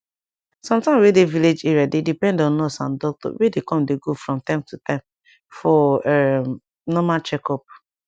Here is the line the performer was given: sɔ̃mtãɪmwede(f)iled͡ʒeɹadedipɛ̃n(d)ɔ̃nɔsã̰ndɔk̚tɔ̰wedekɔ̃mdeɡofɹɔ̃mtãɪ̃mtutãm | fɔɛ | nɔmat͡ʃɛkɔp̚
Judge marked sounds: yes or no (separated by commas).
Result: no, yes